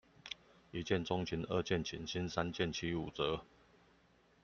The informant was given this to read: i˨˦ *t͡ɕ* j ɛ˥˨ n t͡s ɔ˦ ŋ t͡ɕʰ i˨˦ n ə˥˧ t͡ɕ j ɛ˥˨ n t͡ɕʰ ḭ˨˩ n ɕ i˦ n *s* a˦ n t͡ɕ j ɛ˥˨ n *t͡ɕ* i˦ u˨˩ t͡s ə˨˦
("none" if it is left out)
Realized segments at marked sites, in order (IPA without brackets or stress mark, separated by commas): t͡ɕ, s, t͡ɕʰ